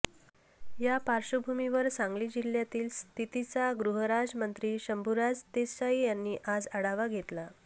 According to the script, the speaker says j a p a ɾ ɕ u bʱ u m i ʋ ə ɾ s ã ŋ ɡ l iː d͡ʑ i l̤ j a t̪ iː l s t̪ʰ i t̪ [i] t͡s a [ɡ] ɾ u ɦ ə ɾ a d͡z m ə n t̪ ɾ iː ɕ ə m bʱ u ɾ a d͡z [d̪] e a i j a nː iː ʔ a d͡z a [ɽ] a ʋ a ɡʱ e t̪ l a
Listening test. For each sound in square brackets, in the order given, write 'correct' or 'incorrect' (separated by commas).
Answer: correct, correct, incorrect, correct